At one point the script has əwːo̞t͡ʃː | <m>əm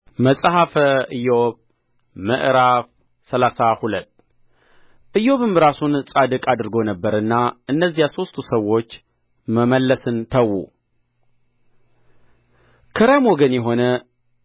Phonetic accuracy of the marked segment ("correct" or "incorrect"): correct